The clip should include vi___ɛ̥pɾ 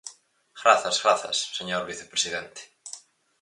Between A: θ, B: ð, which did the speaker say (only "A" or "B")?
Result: A